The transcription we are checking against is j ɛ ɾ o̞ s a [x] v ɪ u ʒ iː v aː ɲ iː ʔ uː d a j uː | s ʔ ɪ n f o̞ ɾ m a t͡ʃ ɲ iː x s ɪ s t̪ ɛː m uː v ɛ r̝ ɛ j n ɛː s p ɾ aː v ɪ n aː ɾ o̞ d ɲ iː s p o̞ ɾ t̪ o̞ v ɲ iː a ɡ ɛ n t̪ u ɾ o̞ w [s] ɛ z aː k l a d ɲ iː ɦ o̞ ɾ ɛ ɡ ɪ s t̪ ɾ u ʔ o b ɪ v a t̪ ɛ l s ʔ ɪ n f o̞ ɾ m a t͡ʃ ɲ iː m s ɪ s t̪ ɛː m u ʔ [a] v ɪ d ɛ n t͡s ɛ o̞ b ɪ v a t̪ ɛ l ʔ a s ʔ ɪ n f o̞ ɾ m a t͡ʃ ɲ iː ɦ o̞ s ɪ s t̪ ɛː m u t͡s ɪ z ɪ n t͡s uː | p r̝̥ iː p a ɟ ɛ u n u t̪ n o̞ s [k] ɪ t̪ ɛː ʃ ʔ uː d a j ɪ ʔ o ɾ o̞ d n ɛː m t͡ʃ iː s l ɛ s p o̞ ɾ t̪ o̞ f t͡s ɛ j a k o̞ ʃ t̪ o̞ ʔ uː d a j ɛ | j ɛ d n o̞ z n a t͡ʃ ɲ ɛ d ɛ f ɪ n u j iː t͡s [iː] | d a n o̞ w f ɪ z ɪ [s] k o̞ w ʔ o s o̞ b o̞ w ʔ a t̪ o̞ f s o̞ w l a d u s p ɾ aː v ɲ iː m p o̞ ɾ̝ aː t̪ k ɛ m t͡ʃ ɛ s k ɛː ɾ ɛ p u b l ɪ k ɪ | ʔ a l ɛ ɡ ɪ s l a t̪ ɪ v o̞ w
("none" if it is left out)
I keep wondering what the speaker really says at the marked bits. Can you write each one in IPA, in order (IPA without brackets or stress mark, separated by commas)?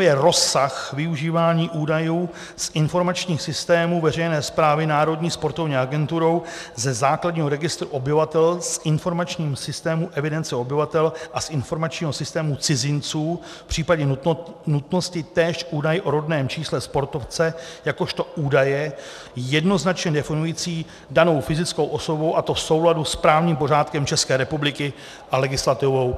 x, z, ɛ, c, iː, t͡s